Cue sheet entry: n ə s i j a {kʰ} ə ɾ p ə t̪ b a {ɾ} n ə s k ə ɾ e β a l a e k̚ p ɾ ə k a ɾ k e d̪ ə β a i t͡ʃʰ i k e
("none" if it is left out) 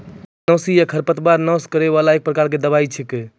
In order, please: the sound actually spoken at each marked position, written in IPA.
kʰ, ɾ

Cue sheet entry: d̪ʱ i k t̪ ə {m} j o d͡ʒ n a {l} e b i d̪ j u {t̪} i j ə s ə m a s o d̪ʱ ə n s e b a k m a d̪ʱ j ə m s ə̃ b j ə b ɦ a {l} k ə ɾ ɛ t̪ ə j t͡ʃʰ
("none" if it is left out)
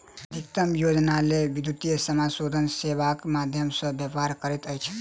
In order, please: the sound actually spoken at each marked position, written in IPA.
m, l, t̪, ɾ

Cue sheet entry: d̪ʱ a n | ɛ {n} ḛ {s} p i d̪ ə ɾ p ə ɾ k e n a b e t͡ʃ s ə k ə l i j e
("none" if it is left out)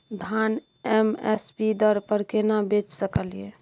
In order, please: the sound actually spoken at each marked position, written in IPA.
m, s

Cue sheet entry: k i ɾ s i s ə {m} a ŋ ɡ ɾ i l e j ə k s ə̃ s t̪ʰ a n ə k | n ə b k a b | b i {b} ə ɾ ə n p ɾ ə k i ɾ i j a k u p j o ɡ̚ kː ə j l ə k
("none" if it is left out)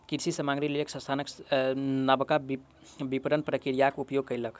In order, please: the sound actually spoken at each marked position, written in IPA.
m, p

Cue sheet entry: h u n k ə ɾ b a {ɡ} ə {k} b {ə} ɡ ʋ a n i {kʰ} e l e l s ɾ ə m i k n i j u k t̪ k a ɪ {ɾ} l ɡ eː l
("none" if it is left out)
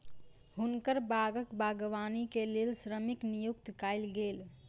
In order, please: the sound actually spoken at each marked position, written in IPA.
ɡ, k, a, k, none

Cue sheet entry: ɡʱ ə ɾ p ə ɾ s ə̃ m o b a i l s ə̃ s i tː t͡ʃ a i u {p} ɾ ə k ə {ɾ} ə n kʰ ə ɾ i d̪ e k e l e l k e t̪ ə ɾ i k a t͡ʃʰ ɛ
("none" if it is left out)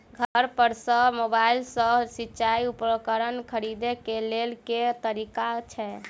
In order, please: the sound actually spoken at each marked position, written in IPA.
p, ɾ

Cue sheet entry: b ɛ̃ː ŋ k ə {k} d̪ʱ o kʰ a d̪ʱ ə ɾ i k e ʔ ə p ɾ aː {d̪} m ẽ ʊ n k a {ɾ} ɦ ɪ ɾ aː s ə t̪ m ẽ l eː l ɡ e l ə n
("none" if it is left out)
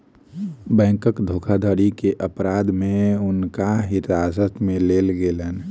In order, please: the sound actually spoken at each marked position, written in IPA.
k, d̪, none

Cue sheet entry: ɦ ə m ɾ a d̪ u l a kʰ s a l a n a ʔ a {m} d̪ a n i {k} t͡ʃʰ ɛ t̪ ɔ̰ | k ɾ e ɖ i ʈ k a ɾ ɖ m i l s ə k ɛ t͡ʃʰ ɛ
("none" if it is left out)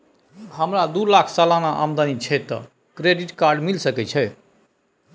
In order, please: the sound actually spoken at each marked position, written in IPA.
m, none

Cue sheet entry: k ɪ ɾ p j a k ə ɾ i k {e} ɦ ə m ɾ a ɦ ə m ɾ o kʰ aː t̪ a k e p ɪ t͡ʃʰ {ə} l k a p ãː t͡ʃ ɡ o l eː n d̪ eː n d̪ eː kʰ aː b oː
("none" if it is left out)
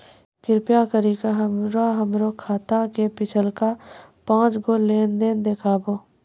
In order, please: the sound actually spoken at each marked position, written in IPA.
a, ə

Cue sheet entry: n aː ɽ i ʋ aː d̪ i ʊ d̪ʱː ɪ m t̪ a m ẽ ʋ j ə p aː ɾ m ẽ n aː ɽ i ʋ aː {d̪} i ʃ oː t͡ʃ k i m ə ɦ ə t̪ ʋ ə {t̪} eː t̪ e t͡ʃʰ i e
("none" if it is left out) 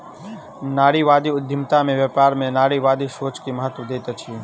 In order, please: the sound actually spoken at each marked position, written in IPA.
d̪, d̪

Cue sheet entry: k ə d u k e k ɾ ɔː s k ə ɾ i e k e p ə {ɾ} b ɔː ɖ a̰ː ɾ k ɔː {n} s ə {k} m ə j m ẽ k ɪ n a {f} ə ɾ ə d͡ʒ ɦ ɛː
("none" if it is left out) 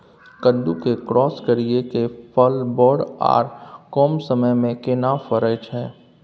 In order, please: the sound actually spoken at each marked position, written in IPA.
l, m, none, f

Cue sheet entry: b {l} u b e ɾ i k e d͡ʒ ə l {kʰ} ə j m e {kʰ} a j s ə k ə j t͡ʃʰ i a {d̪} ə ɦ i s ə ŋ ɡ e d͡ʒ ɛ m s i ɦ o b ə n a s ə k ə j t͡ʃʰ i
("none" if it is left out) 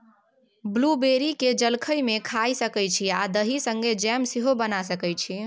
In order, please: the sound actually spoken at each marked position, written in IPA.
l, kʰ, kʰ, d̪

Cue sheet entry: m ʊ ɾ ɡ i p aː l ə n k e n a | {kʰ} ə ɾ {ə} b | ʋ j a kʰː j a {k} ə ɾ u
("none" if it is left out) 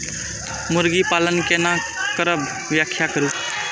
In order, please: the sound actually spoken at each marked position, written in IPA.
k, ə, k

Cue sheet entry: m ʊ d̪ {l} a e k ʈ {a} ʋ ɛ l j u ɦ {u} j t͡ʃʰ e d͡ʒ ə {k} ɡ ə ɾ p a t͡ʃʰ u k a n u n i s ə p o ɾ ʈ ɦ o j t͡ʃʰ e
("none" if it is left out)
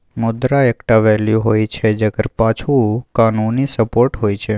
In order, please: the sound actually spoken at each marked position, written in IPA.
ɾ, a, o, none

